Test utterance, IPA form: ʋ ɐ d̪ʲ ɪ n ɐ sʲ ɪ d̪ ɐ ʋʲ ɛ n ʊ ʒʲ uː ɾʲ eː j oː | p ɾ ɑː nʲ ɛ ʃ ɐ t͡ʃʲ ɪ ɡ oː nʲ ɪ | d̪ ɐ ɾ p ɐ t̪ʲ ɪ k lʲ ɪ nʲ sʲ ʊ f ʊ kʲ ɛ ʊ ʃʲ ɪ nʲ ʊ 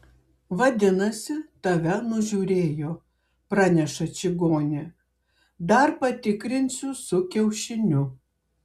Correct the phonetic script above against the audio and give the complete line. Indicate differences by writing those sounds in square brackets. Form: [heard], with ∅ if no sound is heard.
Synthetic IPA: ʋ ɐ d̪ʲ ɪ n ɐ sʲ ɪ [t̪] ɐ ʋʲ ɛ n ʊ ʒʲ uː ɾʲ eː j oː | p ɾ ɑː nʲ ɛ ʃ ɐ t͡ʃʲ ɪ ɡ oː nʲ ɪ | d̪ ɐ ɾ p ɐ t̪ʲ ɪ k [ɾʲ] ɪ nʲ sʲ ʊ [s] ʊ kʲ ɛ ʊ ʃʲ ɪ nʲ ʊ

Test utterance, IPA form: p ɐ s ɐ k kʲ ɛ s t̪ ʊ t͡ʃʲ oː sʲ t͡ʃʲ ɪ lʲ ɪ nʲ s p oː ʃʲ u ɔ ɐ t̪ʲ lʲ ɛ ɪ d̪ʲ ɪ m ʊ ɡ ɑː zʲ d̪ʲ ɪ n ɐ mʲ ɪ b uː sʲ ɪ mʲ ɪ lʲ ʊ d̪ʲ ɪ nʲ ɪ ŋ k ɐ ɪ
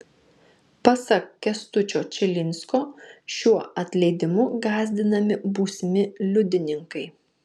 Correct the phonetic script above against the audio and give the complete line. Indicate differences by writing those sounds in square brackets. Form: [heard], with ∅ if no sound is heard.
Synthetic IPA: p ɐ s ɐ k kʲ ɛ s t̪ ʊ t͡ʃʲ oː [∅] t͡ʃʲ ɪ lʲ ɪ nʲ s [k] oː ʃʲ u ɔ ɐ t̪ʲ lʲ ɛ ɪ d̪ʲ ɪ m ʊ ɡ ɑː zʲ d̪ʲ ɪ n ɐ mʲ ɪ b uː sʲ ɪ mʲ ɪ lʲ ʊ d̪ʲ ɪ nʲ ɪ ŋ k ɐ ɪ

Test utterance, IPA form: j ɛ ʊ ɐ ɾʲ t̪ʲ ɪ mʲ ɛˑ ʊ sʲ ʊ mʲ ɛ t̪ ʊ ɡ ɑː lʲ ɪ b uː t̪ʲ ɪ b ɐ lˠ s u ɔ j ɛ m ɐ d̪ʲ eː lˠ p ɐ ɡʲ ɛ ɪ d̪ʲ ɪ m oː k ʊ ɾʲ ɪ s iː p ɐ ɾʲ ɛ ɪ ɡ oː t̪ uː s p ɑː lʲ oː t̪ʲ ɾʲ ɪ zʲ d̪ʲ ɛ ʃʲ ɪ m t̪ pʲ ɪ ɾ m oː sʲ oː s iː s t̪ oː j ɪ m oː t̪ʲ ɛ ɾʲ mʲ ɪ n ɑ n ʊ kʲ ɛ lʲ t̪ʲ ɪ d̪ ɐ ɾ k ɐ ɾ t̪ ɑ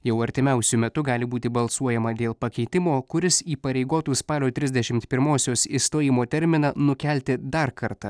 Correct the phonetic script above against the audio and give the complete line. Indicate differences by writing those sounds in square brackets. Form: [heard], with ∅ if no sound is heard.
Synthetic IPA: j ɛ ʊ ɐ ɾʲ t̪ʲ ɪ mʲ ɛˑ ʊ sʲ ʊ mʲ ɛ t̪ ʊ ɡ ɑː lʲ ɪ b uː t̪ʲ ɪ b ɐ lˠ s u ɔ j ɛ m ɐ d̪ʲ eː lˠ p ɐ [kʲ] ɛ ɪ [t̪ʲ] ɪ m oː k ʊ ɾʲ ɪ s iː p ɐ ɾʲ ɛ ɪ ɡ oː t̪ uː s p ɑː lʲ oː t̪ʲ ɾʲ ɪ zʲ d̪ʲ ɛ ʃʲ ɪ m t̪ pʲ ɪ ɾ m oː sʲ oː s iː s t̪ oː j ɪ m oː t̪ʲ ɛ ɾʲ mʲ ɪ n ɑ n ʊ kʲ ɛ lʲ t̪ʲ ɪ d̪ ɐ ɾ k ɐ ɾ t̪ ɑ

